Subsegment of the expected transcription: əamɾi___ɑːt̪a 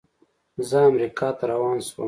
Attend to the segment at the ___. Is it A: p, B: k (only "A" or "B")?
B